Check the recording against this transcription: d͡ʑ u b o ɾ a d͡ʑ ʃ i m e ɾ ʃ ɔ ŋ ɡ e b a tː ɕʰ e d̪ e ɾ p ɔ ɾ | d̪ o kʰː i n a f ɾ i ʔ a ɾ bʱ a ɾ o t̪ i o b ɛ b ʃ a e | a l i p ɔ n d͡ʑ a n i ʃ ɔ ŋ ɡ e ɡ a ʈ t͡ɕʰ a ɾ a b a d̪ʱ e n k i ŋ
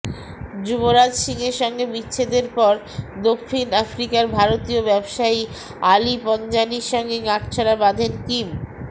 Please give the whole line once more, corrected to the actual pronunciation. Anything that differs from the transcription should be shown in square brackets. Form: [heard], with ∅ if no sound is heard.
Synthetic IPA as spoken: d͡ʑ u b o ɾ a d͡ʑ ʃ i [ŋ] e ɾ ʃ ɔ ŋ ɡ e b [i] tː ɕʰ e d̪ e ɾ p ɔ ɾ | d̪ o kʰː i n a f ɾ i [k] a ɾ bʱ a ɾ o t̪ i o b ɛ b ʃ a [i] | a l i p ɔ n d͡ʑ a n i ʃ ɔ ŋ ɡ e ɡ a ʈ t͡ɕʰ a ɾ a b a d̪ʱ e n k i [m]

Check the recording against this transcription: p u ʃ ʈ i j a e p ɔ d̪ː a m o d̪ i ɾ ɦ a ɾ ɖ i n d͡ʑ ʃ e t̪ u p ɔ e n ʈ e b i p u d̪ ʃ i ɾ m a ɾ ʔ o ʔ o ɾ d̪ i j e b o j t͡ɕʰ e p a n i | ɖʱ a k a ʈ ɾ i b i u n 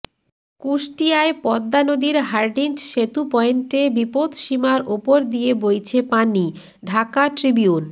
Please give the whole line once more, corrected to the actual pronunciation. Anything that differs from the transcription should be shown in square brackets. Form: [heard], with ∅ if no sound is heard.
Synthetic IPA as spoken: [k] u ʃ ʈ i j a e p ɔ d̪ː a [n] o d̪ i ɾ ɦ a ɾ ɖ i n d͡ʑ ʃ e t̪ u p ɔ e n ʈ e b i p [o] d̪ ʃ i [∅] m a ɾ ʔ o [p] o ɾ d̪ i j e b o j t͡ɕʰ e p a n i | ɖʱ a k a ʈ ɾ i b i u n

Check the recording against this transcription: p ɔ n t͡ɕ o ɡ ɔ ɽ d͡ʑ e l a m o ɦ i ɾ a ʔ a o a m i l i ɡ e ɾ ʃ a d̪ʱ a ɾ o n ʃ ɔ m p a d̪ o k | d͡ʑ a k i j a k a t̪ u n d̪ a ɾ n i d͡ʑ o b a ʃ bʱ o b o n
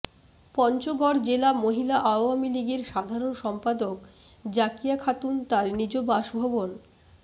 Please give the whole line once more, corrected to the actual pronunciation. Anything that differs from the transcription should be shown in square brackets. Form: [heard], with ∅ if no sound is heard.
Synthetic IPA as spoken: p ɔ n t͡ɕ o ɡ ɔ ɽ d͡ʑ e l a m o ɦ i [l] a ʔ a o a m i l i ɡ e ɾ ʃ a d̪ʱ a ɾ o n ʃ ɔ m p a d̪ o k | d͡ʑ a k i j a [kʰ] a t̪ u n [t̪] a ɾ n i d͡ʑ o b a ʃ bʱ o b o n

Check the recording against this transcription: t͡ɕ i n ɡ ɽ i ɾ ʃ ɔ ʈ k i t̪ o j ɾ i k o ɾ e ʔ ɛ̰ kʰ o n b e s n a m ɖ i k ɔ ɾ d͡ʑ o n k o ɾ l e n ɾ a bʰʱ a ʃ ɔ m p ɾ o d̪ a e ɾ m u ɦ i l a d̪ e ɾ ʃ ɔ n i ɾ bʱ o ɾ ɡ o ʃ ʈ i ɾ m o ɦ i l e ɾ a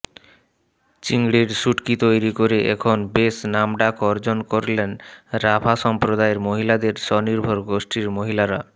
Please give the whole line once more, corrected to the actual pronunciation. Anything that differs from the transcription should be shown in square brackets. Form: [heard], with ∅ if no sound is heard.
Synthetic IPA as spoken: t͡ɕ i [ŋ] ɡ ɽ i ɾ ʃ [u] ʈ k i t̪ o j ɾ i k o ɾ e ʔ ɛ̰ kʰ o n b e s n a m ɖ [a] k ɔ ɾ d͡ʑ o n k o ɾ l e n ɾ a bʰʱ a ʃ ɔ m p ɾ o d̪ a e ɾ m [o] ɦ i l a d̪ e ɾ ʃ ɔ n i ɾ bʱ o ɾ ɡ o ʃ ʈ i ɾ m o ɦ i l [a] ɾ a

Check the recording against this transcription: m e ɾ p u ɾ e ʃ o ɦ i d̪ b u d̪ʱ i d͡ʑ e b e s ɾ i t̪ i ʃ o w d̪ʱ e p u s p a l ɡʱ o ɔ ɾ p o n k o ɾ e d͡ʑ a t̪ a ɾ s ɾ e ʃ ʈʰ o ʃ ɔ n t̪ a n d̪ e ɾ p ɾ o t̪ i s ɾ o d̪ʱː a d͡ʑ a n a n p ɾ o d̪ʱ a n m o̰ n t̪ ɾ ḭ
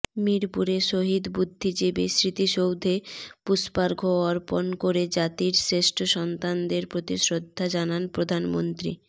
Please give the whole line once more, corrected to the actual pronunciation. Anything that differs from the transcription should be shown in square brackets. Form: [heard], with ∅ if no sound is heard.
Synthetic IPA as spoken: m [i] ɾ p u ɾ e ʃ o ɦ i d̪ b u [d̪ʱː] i d͡ʑ e b e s ɾ i t̪ i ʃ o w d̪ʱ e p u s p a [ɾ] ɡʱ o ɔ ɾ p o n k o ɾ e d͡ʑ a t̪ [i] ɾ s ɾ e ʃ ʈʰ o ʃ ɔ n t̪ a n d̪ e ɾ p ɾ o t̪ i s ɾ o d̪ʱː a d͡ʑ a n a n p ɾ o d̪ʱ a n m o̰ n t̪ ɾ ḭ

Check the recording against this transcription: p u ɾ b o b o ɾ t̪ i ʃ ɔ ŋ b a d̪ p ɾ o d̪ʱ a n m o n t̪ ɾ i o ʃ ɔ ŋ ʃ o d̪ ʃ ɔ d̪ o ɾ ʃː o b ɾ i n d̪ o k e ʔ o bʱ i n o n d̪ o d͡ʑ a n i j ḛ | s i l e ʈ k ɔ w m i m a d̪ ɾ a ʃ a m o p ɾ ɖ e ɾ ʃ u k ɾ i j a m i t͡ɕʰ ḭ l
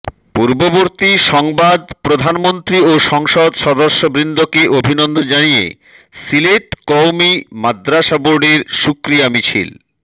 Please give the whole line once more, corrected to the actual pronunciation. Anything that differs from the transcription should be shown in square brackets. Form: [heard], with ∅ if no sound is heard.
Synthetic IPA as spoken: p u ɾ b o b o ɾ t̪ i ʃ ɔ ŋ b a d̪ p ɾ o d̪ʱ a n m o n t̪ ɾ i o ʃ ɔ ŋ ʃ o d̪ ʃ ɔ d̪ o ɾ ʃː o b ɾ i n d̪ o k e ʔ o bʱ i n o n d̪ o d͡ʑ a n i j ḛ | s i l e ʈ k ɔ w m i m a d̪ ɾ a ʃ a [b] o [∅] ɾ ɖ e ɾ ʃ u k ɾ i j a m i t͡ɕʰ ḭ l

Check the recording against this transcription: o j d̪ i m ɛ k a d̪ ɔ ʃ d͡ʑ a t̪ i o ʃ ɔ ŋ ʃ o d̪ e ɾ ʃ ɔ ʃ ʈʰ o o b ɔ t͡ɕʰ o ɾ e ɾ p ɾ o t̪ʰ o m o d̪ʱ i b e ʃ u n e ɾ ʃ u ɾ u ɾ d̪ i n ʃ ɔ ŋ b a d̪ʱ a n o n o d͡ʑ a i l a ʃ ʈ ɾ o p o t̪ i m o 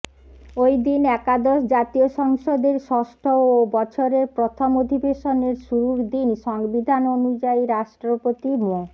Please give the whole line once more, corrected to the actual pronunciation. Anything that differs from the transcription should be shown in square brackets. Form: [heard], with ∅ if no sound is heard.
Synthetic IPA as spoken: o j d̪ i [n] ɛ k a d̪ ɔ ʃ d͡ʑ a t̪ i o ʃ ɔ ŋ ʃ o d̪ e ɾ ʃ ɔ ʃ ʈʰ o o b ɔ t͡ɕʰ o ɾ e ɾ p ɾ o t̪ʰ o m o d̪ʱ i b e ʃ [o] n e ɾ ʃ u ɾ u ɾ d̪ i n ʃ ɔ ŋ b [i] d̪ʱ a n o n [u] d͡ʑ a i [ɾ] a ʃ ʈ ɾ o p o t̪ i m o

